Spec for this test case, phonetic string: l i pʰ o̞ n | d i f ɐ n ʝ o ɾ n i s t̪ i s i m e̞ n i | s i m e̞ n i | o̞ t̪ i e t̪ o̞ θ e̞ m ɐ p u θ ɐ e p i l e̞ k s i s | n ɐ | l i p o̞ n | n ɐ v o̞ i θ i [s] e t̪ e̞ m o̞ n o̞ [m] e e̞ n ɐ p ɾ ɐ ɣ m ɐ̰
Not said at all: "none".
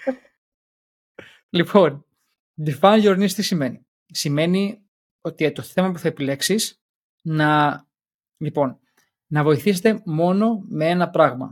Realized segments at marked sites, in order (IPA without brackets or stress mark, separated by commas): s, m